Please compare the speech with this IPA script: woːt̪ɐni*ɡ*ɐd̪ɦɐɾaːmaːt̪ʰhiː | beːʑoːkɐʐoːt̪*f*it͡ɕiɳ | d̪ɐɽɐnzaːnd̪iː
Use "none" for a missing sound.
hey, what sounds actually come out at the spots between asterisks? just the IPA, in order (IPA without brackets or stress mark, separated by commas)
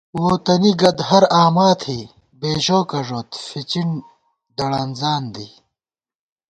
ɡ, f